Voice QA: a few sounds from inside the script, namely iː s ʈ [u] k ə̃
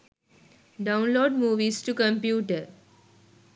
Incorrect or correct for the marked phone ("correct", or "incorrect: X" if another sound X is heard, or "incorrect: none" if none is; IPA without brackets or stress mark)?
correct